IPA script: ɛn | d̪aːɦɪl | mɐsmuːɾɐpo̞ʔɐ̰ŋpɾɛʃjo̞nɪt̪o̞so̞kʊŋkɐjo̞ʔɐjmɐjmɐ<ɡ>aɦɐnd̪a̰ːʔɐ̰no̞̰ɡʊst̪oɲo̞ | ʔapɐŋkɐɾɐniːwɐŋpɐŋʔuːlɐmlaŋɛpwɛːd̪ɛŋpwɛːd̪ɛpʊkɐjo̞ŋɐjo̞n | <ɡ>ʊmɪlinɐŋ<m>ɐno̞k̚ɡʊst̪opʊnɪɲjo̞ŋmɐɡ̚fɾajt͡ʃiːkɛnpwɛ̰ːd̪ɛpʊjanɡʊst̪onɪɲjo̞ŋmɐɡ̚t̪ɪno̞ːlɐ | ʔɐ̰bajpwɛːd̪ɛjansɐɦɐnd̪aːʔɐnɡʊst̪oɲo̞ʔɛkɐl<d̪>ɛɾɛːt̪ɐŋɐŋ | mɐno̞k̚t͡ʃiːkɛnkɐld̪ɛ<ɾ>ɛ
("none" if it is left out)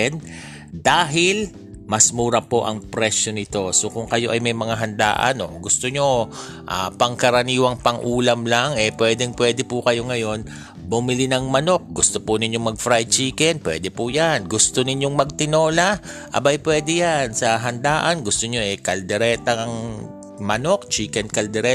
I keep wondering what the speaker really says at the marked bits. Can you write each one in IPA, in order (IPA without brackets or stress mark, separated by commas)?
ŋ, b, m, d̪, ɾ